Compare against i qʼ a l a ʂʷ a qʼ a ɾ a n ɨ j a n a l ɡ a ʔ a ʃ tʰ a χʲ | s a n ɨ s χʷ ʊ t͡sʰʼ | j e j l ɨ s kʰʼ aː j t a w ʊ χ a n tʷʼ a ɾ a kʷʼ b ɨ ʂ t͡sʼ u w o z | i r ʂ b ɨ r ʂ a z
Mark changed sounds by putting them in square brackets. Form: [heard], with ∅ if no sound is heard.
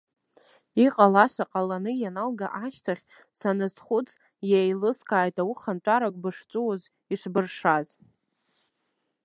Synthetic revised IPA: i qʼ a l a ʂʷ a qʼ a [l] a n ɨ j a n a l ɡ a ʔ a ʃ tʰ a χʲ | s a n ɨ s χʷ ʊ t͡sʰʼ | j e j l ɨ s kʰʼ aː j t a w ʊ χ a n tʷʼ a ɾ a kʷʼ b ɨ ʂ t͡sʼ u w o z | i [∅] ʂ b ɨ r ʂ a z